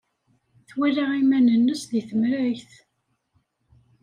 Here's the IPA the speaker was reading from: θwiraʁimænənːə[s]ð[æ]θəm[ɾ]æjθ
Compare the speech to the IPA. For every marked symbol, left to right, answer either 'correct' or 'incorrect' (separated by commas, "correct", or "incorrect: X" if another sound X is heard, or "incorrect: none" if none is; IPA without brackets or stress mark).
correct, incorrect: i, correct